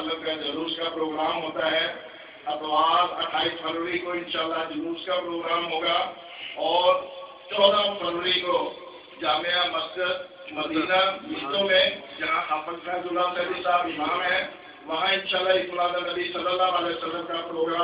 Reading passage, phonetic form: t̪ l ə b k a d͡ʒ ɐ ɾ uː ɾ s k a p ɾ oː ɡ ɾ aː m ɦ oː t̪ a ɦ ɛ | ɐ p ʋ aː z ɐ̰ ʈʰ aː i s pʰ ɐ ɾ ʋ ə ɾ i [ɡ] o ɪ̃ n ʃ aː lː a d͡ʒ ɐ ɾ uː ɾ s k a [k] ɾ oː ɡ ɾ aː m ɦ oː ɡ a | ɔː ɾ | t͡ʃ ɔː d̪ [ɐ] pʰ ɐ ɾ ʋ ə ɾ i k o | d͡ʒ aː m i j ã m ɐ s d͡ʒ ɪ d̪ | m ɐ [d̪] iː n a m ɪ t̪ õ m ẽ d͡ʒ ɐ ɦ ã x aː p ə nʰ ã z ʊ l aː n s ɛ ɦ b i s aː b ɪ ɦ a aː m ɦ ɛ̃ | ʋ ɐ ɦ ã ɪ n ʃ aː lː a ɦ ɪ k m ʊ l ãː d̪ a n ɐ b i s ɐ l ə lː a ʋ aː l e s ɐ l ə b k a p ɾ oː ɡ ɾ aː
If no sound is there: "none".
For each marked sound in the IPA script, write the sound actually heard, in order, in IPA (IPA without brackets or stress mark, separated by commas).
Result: k, p, a, d̪